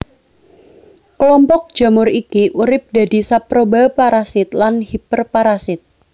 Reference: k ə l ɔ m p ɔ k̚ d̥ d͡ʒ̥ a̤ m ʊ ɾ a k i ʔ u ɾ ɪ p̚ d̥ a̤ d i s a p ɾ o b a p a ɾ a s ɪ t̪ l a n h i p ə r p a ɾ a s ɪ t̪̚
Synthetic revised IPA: k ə l ɔ m p ɔ k̚ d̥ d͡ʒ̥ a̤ m ʊ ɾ i k i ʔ u ɾ ɪ p̚ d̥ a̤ d i s a p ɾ o b a p a ɾ a s ɪ t̪ l a n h i p ə r p a ɾ a s ɪ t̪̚